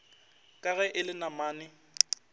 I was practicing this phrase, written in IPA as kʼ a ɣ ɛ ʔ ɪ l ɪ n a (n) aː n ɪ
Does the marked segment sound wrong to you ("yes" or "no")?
yes